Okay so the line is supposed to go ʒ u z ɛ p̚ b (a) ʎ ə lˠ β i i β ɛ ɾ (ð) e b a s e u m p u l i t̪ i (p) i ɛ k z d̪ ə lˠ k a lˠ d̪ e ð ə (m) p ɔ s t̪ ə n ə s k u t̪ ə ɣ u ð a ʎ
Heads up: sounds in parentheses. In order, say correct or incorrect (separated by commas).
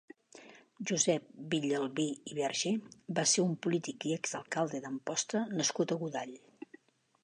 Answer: incorrect, incorrect, incorrect, correct